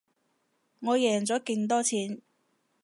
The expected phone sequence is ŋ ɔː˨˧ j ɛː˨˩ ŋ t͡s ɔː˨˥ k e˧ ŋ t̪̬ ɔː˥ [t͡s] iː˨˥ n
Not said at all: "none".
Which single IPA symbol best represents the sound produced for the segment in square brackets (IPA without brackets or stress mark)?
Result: t͡sʰ